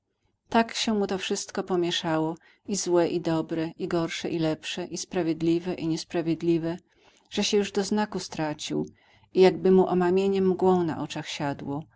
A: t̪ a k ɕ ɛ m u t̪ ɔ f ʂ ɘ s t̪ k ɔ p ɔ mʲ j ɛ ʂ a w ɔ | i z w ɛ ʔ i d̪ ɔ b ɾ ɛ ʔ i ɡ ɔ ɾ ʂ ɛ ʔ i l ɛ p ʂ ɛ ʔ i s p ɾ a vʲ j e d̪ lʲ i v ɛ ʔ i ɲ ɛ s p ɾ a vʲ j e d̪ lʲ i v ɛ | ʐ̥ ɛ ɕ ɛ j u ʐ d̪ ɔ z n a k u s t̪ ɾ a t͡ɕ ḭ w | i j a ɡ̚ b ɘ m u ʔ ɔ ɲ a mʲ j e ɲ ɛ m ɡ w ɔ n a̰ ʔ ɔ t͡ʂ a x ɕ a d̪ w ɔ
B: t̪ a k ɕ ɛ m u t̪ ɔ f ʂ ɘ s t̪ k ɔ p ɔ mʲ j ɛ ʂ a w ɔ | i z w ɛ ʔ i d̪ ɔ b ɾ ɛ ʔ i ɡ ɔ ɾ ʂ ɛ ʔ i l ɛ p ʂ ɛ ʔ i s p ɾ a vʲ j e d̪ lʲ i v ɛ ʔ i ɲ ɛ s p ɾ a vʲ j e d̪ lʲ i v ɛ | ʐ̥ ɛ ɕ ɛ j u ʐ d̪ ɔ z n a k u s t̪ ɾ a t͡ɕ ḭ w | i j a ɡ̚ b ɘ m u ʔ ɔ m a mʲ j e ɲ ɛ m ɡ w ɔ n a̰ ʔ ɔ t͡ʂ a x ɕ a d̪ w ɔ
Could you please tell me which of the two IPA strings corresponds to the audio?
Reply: B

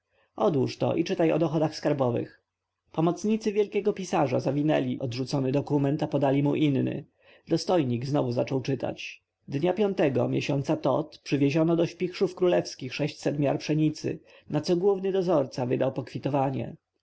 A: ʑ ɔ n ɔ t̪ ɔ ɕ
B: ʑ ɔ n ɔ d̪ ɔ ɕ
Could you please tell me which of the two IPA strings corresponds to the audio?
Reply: B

